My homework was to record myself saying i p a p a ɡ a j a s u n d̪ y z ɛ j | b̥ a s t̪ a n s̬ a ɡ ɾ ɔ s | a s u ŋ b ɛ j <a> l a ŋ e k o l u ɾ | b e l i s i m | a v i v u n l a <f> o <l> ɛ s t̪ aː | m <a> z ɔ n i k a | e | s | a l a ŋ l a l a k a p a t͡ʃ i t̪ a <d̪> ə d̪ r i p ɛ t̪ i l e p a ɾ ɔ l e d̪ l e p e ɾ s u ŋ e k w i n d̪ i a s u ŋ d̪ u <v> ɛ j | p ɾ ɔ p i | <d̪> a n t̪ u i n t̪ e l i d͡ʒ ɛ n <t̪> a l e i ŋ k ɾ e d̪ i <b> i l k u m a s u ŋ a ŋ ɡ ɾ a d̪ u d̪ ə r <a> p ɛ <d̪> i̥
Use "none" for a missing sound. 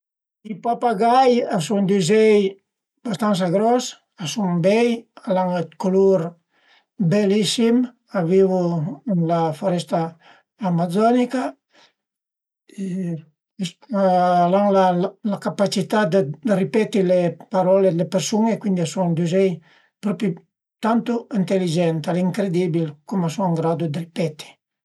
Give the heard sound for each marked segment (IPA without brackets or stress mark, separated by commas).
a, f, ɾ, a, d̪, z, t̪, t̪, b, i, t̪